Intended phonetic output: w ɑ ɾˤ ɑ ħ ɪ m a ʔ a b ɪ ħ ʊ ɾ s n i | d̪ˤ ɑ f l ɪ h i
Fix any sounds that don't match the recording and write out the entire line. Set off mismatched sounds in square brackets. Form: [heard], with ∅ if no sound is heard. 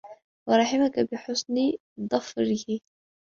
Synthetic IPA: w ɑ ɾˤ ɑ ħ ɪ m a [k] a b ɪ ħ ʊ [∅] s n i | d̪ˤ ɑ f [ɾ] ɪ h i